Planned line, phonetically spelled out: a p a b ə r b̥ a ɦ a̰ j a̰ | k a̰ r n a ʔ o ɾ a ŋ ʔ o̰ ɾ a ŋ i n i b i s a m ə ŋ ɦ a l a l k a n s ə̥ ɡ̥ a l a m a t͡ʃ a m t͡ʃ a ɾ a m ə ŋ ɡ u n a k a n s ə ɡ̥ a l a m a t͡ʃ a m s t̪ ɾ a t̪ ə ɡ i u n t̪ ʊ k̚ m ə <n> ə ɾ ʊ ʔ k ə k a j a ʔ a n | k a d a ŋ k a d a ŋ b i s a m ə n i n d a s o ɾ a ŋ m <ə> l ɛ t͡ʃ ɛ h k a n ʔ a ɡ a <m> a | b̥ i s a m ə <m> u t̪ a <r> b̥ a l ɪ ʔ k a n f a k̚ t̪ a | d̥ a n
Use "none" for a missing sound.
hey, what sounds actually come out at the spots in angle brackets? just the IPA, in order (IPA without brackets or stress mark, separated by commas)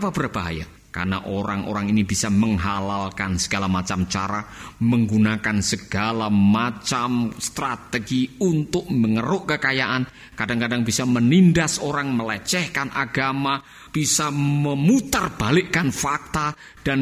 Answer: ŋ, ə, m, m, r